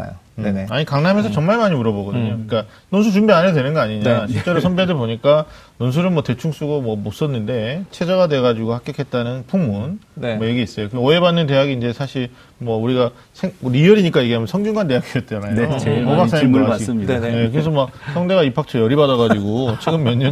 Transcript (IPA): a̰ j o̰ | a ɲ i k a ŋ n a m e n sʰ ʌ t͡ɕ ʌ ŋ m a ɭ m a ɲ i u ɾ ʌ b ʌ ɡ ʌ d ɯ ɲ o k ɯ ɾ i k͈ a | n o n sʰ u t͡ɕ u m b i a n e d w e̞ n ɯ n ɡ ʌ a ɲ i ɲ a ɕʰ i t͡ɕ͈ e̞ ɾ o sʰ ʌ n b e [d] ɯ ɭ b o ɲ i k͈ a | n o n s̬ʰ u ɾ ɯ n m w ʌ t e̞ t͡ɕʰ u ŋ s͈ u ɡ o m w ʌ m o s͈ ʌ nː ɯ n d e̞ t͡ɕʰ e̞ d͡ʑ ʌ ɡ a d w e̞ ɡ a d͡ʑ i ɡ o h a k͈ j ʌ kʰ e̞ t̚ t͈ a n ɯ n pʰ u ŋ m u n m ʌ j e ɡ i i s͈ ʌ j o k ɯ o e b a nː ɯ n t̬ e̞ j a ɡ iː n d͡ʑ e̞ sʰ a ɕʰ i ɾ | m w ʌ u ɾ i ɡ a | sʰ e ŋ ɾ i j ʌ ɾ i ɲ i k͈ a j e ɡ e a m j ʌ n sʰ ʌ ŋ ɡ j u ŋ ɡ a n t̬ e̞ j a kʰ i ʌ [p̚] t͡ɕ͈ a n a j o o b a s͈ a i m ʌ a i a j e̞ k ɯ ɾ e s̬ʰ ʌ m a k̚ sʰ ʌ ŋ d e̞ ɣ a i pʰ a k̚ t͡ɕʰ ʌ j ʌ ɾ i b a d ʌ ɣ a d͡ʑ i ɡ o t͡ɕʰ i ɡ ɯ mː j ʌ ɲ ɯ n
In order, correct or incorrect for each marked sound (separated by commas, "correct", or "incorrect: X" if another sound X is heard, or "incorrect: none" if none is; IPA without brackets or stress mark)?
correct, incorrect: t̚